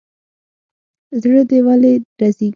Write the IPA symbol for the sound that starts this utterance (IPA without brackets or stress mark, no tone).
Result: z